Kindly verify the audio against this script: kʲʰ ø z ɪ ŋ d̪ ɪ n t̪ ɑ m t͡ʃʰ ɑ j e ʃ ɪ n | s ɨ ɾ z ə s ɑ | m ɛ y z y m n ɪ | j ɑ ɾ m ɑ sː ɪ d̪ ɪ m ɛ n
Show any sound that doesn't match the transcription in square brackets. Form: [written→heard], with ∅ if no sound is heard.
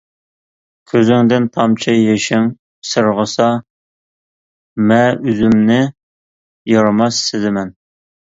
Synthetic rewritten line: kʲʰ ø z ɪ ŋ d̪ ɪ n [t̪→t̪ʰ] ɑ m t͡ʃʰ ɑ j e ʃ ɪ [n→ŋ] | s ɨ ɾ [z→ʁ] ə s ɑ | m ɛ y z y m n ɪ | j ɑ ɾ m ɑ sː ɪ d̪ ɪ m ɛ n